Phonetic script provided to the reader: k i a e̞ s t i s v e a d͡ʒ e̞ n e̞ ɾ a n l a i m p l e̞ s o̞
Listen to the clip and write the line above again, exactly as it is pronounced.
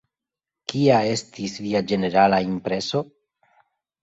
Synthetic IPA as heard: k i a e̞ s t i s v i a d͡ʒ e̞ n e̞ ɾ a l a i m p ɾ e̞ s o̞